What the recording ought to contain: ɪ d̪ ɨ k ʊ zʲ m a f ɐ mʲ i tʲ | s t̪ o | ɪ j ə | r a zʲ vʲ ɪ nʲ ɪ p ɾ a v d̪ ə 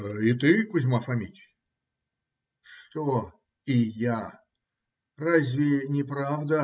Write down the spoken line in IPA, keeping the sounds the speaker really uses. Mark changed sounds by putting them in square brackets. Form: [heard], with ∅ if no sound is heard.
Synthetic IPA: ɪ [t̪] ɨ k ʊ zʲ m a f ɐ mʲ i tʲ | [ʂ] t̪ o | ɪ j [a] | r a zʲ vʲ ɪ nʲ ɪ p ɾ a v d̪ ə